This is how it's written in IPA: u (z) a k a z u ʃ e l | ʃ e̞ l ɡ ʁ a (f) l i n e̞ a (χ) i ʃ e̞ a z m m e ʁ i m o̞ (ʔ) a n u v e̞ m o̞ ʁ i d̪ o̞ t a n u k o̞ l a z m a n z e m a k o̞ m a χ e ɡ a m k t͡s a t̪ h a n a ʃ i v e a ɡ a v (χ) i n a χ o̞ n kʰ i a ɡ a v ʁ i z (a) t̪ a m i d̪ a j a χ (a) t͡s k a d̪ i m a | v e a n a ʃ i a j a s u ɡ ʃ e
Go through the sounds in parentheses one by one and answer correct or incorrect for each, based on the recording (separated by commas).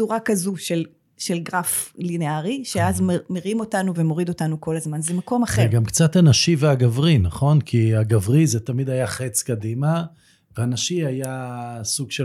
incorrect, correct, incorrect, incorrect, incorrect, incorrect, incorrect